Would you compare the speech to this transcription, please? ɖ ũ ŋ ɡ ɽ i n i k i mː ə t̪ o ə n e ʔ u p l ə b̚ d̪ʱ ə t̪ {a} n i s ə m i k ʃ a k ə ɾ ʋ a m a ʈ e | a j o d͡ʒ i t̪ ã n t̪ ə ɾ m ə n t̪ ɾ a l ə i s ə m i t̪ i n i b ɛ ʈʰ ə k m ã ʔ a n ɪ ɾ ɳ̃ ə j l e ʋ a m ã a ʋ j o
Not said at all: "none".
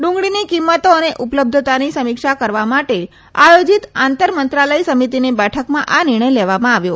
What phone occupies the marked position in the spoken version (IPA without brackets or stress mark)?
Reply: a